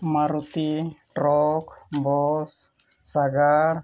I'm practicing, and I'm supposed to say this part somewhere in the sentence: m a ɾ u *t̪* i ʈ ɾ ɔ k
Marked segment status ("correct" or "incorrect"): correct